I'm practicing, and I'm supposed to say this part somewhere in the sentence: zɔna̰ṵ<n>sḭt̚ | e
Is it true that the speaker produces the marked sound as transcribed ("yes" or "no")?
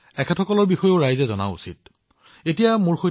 no